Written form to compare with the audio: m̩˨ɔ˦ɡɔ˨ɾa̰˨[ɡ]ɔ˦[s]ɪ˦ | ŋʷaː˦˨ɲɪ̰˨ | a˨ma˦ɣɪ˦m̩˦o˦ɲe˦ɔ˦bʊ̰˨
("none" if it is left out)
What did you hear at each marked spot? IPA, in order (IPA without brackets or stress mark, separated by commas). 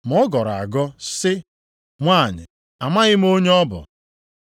ɡ, s